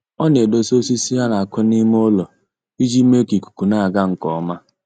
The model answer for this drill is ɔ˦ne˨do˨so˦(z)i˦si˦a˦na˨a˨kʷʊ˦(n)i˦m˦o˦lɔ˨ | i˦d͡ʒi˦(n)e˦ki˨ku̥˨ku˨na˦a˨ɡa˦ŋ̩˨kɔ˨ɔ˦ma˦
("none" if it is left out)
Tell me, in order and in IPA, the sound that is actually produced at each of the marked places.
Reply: s, n, m

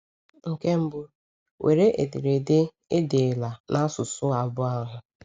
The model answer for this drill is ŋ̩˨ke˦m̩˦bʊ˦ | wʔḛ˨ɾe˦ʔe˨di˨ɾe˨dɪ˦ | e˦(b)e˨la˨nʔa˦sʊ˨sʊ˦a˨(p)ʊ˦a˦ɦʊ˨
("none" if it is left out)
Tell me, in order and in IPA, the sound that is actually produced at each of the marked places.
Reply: d, b

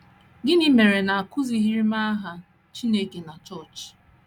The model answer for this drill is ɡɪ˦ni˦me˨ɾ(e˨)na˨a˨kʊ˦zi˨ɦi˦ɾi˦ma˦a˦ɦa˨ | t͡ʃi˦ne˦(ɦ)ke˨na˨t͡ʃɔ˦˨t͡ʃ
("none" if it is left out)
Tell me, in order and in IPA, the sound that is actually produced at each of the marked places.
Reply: e˨, none

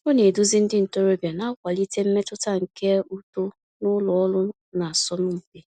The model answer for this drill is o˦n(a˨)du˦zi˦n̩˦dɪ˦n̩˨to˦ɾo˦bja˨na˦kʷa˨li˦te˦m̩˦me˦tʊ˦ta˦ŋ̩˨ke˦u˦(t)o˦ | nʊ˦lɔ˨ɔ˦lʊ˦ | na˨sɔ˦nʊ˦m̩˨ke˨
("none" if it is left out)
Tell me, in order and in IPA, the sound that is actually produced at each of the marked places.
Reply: e˨, t

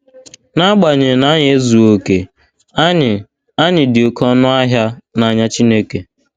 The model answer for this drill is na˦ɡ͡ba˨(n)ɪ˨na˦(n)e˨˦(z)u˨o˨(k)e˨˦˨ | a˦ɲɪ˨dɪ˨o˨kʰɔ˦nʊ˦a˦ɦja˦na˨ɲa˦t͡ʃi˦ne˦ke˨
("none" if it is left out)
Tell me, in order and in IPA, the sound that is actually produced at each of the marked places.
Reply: ɲ, ɲ, z, k

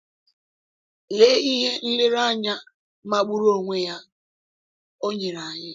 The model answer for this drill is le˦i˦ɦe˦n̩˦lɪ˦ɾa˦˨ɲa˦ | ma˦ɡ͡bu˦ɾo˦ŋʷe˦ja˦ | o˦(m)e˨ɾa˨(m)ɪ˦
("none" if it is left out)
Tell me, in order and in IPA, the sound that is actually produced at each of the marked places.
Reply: ɲ, ɲ

